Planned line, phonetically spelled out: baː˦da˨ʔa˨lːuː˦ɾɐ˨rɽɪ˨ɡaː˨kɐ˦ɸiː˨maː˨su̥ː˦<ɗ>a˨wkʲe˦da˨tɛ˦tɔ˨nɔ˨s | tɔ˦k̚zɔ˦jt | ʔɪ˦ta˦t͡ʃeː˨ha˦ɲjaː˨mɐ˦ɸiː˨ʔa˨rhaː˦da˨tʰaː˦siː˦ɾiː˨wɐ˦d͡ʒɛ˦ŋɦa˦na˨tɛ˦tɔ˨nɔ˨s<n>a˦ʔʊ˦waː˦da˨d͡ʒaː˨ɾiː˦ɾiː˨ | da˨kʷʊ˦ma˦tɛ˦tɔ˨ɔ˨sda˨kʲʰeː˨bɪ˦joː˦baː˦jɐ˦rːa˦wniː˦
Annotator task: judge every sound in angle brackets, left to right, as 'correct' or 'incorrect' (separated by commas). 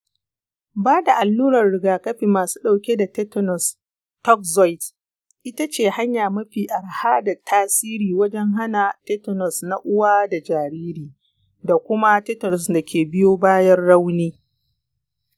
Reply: correct, correct